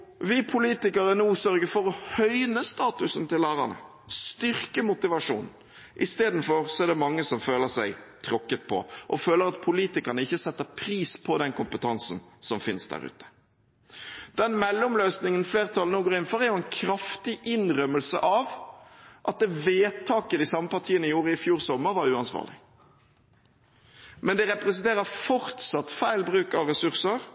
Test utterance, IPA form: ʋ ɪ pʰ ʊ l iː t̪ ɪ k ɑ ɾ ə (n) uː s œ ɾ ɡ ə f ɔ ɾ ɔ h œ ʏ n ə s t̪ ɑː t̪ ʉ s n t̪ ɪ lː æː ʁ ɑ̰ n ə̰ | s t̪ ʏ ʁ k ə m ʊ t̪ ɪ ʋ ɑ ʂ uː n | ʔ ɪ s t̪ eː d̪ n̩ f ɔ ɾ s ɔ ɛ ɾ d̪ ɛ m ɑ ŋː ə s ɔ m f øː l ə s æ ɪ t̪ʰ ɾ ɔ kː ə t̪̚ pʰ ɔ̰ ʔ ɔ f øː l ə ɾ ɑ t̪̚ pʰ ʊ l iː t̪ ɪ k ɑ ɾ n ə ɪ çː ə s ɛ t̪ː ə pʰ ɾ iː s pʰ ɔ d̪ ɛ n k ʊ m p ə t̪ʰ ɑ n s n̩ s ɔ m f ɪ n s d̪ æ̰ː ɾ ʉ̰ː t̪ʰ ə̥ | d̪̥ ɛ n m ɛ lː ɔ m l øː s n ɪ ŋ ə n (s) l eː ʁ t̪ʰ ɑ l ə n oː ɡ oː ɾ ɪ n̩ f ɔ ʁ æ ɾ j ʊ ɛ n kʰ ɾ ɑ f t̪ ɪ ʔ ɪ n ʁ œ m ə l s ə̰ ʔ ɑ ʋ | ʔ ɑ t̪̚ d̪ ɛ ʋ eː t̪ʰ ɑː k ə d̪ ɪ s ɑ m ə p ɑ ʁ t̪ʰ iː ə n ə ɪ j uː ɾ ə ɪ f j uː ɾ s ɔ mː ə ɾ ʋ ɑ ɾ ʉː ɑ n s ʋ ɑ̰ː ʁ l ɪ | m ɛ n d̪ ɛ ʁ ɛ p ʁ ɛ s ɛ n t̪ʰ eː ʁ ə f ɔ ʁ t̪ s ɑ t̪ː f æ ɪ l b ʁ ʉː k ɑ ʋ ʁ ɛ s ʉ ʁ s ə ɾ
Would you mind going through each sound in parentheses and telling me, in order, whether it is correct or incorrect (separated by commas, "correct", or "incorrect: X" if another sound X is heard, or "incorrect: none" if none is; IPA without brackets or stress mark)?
correct, incorrect: f